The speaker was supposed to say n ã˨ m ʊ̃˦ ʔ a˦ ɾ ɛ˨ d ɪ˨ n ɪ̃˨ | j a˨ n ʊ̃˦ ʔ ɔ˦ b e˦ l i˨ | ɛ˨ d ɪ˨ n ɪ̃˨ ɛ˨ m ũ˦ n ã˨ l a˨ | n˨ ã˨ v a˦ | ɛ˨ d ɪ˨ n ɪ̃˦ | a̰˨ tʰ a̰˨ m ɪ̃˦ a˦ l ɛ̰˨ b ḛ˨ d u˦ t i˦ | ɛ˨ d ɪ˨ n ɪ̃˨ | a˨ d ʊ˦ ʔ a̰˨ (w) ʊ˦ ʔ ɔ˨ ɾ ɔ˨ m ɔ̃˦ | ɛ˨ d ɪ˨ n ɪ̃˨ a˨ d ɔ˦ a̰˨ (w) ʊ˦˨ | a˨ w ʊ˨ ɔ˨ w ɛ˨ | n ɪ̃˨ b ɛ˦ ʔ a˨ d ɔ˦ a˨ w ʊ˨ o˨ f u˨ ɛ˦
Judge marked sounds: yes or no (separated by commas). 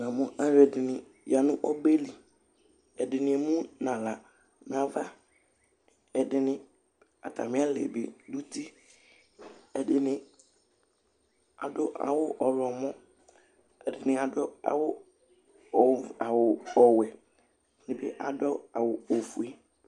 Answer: yes, yes